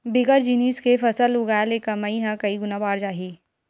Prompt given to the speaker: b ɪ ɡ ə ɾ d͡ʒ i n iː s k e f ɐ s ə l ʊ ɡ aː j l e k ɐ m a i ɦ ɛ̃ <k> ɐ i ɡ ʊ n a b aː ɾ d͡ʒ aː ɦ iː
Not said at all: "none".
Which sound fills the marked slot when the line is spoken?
k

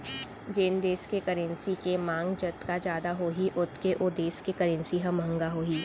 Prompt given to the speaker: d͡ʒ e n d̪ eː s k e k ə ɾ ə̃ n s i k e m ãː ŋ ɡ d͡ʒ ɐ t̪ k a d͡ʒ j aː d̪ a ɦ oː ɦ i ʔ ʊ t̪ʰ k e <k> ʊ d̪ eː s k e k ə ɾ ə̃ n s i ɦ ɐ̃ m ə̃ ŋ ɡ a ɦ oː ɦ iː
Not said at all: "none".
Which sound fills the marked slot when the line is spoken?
ʔ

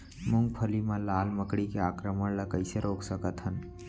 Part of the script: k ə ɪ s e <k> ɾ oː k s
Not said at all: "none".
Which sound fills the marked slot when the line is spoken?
none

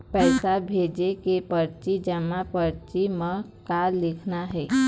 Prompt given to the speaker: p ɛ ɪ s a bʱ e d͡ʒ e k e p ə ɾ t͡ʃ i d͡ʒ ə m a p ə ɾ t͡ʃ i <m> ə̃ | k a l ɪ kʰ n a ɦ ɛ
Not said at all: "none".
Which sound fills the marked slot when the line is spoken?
m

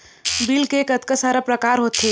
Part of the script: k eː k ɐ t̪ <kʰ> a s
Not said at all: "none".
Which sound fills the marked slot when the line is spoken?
k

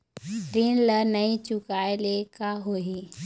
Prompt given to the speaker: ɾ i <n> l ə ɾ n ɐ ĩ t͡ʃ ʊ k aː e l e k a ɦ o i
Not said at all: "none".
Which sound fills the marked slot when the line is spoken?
n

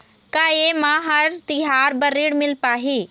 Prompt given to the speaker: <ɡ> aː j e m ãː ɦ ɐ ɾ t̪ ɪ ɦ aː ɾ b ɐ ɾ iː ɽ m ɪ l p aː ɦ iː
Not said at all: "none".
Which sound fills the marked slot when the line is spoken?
k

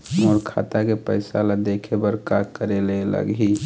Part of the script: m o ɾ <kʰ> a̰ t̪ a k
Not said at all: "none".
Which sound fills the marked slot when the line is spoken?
kʰ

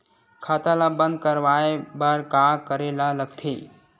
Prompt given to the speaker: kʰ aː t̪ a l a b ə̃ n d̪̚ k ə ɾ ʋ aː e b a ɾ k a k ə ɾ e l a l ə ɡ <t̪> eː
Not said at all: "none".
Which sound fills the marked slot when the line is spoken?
t̪ʰ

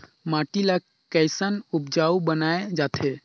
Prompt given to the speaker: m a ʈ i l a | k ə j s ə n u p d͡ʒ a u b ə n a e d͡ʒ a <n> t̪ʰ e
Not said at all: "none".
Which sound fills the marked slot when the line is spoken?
none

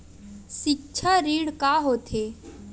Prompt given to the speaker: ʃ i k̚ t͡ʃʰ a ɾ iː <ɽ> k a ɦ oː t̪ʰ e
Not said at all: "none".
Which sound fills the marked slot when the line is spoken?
ɽ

